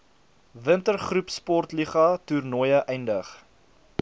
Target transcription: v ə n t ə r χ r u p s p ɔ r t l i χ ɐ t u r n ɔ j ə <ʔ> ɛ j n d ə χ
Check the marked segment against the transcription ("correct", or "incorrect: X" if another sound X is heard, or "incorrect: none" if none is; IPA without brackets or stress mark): correct